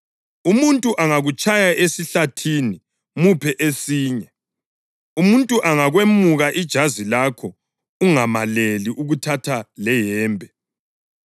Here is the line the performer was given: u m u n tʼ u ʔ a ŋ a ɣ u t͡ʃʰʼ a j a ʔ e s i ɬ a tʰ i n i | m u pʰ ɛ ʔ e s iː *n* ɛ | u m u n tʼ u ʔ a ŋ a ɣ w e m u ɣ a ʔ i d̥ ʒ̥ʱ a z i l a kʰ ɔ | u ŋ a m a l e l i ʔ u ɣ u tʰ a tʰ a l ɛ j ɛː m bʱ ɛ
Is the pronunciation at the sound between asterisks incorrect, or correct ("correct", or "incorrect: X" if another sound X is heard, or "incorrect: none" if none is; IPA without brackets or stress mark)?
incorrect: ɲ